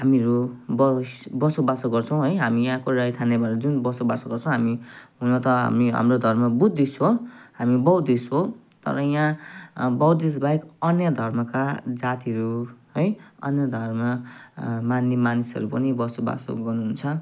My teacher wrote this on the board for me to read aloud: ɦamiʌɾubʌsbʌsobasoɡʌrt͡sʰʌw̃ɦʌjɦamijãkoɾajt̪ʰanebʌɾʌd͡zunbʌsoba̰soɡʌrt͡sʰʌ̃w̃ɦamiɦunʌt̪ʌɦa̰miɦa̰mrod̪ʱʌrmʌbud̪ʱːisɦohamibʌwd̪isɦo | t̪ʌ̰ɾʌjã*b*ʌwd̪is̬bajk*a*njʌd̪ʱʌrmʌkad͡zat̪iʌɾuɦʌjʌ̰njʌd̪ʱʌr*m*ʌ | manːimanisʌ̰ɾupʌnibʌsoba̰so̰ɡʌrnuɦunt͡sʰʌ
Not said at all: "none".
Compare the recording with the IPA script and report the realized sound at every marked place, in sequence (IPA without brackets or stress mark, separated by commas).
b, ʌ, m